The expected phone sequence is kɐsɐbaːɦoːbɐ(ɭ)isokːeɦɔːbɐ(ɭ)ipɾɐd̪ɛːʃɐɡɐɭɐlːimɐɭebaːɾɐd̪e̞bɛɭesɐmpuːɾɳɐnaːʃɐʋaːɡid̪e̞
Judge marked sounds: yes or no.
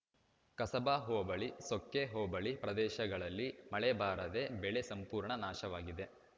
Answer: yes, yes

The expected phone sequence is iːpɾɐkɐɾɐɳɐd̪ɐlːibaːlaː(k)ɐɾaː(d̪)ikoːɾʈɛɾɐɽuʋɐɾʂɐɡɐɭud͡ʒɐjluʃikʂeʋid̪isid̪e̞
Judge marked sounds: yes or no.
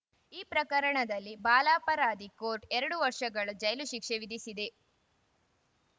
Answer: no, yes

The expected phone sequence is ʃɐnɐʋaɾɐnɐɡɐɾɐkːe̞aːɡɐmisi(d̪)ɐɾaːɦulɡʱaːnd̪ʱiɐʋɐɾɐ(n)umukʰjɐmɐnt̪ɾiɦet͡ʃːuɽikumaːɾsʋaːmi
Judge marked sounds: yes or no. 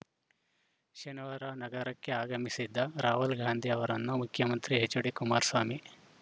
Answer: no, no

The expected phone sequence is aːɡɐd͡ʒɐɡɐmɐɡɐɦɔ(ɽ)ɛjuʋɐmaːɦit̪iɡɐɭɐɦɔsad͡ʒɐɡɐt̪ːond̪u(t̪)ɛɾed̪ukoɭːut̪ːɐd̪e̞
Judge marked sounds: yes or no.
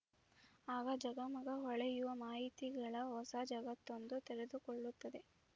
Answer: no, yes

